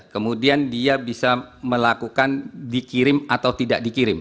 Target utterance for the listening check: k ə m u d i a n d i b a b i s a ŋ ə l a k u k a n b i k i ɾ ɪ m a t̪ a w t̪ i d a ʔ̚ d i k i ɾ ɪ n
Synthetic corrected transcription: k ə m u d i a n d i a b i s a m ə l a k u k a n d i k i ɾ ɪ m a t̪ a w t̪ i d a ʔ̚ d i k i ɾ ɪ m